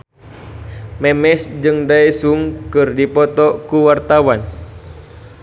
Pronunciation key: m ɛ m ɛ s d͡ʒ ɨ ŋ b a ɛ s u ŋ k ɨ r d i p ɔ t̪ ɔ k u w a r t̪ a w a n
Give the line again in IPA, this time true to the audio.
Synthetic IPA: m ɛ m ɛ s d͡ʒ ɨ ŋ d a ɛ s u ŋ k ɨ r d i p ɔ t̪ ɔ k u w a r t̪ a w a n